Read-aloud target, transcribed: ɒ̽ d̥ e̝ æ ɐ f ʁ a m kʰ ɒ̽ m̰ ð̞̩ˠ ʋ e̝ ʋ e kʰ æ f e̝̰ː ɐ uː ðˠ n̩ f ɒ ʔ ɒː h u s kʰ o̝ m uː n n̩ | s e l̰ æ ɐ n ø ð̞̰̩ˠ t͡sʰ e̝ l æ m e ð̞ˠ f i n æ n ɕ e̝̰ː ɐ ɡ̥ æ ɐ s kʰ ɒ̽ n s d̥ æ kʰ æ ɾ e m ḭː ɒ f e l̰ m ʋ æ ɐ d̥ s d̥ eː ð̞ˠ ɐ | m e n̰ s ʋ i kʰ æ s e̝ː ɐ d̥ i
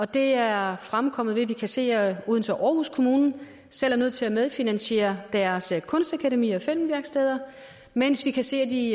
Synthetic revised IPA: ɒ̽ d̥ e̝ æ ɐ f ʁ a m kʰ ɒ̽ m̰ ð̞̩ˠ ʋ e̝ ʋ i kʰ æ s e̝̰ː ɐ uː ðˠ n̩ f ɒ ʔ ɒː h u s kʰ o̝ m uː n n̩ | s e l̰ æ ɐ n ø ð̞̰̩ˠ t͡sʰ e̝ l æ m e ð̞ˠ f i n æ n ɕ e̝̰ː ɐ d̥ æ ɐ s kʰ ɔ̽ n s d̥ æ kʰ æ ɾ e m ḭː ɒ f e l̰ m ʋ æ ɐ ɡ̥ s d̥ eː ð̞ˠ ɐ | m e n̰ s ʋ i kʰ æ s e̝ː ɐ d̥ i